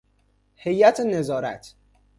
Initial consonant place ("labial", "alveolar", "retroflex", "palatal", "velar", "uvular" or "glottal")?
glottal